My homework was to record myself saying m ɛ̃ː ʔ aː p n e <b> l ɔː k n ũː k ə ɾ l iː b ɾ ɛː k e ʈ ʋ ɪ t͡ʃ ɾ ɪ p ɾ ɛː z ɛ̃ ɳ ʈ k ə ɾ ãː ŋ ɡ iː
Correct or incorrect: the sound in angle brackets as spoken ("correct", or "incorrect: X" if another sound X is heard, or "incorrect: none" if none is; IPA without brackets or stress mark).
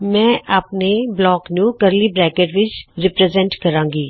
correct